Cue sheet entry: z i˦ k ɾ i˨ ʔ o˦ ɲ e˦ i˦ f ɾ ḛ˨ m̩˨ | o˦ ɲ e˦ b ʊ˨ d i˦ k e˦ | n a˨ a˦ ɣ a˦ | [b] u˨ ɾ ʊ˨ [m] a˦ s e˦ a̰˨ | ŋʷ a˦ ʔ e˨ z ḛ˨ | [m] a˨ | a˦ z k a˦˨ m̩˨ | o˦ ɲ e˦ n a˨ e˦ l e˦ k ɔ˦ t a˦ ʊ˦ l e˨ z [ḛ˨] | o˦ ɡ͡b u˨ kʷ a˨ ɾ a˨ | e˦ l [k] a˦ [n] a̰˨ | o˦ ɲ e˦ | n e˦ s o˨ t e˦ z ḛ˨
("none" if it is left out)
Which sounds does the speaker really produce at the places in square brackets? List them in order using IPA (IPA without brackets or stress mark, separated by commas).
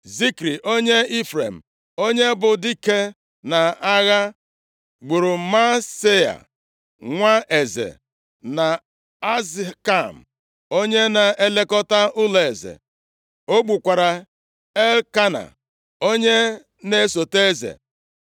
ɡ͡b, m, n, ḛ˨, k, n